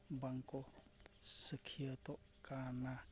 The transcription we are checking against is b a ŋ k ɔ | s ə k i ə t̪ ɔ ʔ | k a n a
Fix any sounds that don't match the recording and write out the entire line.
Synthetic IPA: b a ŋ k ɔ | s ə kʰ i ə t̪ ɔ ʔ | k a n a